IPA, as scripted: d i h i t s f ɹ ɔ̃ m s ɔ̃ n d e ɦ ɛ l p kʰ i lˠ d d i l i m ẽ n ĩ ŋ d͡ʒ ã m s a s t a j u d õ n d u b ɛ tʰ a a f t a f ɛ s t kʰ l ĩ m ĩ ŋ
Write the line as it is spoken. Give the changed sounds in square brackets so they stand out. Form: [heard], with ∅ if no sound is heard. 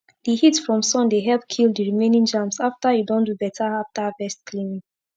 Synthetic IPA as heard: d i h i t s f ɹ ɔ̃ m s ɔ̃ n d e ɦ ɛ l p kʰ i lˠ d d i [ɹ] i m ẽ n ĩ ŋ d͡ʒ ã m s a [f] t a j u d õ n d u b ɛ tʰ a a f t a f ɛ s t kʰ l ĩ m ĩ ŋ